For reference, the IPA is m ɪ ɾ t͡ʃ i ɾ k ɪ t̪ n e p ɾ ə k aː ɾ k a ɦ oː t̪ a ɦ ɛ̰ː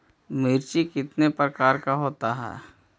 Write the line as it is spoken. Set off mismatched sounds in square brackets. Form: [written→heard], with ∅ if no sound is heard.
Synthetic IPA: m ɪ ɾ t͡ʃ i [ɾ→∅] k ɪ t̪ n e p ɾ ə k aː ɾ k a ɦ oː t̪ a ɦ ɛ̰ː